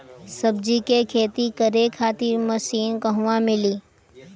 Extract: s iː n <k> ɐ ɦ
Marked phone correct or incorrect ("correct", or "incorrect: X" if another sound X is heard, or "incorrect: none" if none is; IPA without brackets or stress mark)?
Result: correct